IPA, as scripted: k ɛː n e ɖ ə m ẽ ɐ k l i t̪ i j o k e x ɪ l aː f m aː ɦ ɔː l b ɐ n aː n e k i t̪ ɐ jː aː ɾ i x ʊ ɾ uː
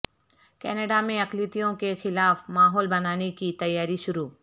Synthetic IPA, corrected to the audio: k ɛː n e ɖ a m ẽ ɐ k l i t̪ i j õ k e x ɪ l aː f m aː ɦ ɔː l b ɐ n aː n e k i t̪ ɐ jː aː ɾ i ʃ ʊ ɾ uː